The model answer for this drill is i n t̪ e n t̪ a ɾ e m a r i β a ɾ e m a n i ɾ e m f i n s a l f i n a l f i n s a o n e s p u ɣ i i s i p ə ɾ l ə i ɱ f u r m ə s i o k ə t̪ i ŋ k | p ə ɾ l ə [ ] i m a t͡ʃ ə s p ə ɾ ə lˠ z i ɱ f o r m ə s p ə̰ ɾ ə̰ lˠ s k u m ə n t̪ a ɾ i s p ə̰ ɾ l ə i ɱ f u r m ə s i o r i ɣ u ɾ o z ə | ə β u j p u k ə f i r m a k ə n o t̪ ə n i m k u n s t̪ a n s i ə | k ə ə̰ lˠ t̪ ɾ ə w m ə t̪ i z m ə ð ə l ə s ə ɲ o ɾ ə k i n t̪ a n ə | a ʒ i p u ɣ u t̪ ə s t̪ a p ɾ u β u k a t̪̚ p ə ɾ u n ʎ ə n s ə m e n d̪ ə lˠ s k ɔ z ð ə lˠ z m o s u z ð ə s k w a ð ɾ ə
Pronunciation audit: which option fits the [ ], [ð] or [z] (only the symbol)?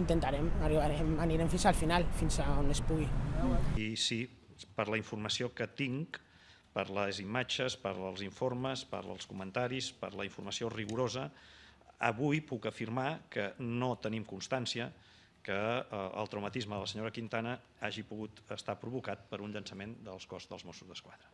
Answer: z